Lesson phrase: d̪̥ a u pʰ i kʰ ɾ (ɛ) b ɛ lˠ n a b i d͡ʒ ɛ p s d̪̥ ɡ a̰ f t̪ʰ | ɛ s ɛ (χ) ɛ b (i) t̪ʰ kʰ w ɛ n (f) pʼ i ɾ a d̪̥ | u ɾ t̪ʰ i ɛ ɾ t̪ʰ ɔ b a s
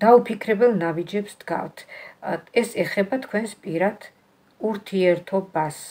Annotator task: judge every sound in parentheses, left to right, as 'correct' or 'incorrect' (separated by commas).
correct, correct, incorrect, incorrect